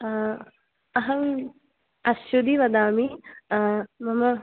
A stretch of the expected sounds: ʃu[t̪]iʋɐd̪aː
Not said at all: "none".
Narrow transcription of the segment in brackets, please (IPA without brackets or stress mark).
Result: d̪